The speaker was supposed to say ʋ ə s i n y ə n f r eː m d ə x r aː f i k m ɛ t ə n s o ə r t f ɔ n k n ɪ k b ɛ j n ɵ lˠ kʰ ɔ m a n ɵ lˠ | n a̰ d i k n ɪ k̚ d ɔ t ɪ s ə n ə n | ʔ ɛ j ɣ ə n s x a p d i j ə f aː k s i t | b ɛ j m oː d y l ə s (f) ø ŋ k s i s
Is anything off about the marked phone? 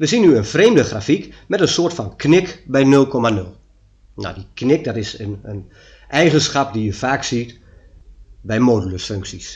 no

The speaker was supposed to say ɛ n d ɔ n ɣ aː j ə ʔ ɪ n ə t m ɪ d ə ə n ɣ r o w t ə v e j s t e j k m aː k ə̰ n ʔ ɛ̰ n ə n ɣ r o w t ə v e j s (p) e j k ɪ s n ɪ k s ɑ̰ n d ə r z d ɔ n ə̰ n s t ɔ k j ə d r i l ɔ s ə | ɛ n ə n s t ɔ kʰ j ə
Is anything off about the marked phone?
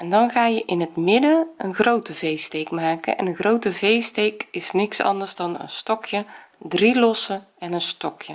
yes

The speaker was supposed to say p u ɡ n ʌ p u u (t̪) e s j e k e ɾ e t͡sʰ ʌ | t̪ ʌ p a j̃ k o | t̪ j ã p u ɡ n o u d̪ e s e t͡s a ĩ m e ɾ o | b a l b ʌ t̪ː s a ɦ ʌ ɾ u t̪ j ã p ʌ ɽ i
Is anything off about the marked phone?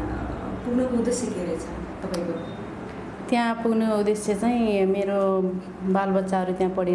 yes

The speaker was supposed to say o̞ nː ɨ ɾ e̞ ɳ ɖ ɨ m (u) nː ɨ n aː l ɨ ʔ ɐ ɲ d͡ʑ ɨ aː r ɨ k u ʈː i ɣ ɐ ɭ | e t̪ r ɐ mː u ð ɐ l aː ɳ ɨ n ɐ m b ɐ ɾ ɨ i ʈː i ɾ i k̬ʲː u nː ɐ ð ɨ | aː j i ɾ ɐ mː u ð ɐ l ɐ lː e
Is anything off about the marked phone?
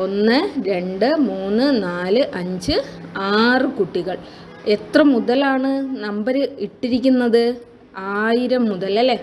yes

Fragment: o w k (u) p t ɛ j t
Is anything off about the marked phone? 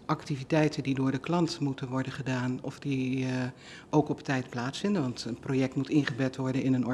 yes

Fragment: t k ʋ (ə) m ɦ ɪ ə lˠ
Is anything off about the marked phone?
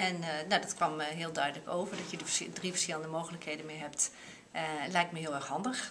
yes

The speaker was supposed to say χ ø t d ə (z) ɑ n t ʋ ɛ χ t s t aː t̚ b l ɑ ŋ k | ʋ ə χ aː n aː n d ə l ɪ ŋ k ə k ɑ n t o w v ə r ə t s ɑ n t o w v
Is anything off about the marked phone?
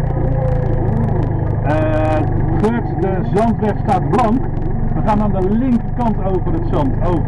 no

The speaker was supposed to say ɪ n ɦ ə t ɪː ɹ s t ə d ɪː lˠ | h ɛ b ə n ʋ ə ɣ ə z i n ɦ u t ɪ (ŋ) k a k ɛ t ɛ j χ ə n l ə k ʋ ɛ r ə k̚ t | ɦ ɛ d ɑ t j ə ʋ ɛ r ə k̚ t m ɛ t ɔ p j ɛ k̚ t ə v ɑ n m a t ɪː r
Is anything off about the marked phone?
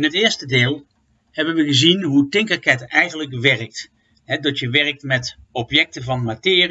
no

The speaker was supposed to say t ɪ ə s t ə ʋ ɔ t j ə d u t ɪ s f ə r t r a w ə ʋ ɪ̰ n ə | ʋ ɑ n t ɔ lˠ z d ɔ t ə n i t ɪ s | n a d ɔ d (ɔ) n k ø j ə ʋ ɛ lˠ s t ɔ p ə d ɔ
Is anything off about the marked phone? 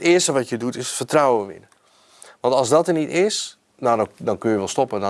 no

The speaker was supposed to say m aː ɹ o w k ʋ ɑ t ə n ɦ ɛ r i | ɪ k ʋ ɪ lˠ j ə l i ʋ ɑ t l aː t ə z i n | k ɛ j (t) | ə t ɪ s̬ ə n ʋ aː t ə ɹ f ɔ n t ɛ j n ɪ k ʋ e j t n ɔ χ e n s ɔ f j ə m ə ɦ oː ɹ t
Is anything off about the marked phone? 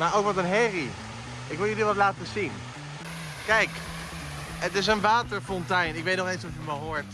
yes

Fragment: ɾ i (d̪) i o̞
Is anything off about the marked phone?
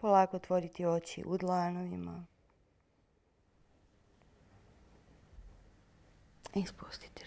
yes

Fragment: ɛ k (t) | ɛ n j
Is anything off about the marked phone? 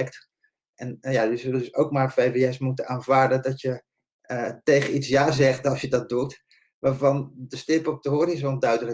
no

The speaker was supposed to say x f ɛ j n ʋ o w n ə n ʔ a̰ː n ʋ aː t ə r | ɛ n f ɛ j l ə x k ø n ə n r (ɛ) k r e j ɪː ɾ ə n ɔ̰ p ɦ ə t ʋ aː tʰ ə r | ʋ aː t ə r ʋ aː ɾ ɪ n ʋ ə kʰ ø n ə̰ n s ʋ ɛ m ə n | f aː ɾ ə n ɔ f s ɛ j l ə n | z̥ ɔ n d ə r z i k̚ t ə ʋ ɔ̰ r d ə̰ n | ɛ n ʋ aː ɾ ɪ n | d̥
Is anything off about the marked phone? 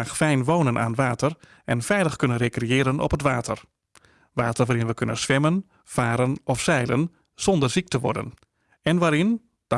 yes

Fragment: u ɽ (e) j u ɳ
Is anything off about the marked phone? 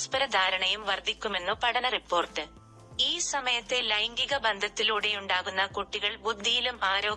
no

